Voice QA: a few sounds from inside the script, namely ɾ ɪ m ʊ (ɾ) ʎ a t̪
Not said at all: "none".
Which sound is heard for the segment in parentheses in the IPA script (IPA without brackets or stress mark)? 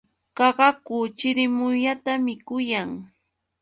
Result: none